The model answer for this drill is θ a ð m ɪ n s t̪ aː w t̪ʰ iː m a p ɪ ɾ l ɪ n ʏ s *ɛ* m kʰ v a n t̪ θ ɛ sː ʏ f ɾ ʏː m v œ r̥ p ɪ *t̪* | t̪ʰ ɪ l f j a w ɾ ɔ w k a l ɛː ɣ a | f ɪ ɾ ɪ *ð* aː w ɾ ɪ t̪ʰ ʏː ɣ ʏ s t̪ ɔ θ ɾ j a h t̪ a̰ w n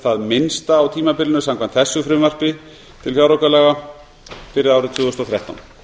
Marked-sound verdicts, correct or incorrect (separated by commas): incorrect, incorrect, correct